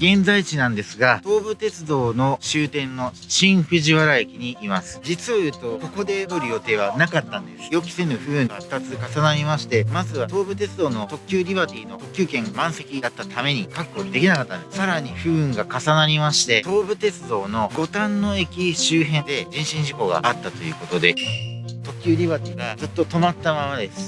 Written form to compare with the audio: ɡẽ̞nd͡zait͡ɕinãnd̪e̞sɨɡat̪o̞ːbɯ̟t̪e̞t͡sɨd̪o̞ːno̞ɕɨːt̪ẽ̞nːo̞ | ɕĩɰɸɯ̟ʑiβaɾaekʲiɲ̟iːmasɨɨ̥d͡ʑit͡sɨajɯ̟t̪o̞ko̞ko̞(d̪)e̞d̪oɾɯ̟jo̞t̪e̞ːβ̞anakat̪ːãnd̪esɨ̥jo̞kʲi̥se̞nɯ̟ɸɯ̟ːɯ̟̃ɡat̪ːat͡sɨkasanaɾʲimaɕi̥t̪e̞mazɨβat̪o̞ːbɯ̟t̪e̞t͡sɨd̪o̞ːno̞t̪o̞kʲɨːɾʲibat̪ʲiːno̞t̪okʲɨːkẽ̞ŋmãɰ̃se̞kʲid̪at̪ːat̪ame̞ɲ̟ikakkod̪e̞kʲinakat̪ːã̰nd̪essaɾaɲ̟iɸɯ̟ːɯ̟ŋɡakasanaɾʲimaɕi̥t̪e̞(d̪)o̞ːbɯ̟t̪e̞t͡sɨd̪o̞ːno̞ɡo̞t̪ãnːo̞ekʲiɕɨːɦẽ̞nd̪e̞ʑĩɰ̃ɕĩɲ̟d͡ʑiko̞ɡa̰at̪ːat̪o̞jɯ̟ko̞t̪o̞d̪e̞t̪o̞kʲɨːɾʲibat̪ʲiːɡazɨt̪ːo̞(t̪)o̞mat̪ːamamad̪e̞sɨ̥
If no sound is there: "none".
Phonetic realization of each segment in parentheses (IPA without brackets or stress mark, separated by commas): d̪, t̪, t̪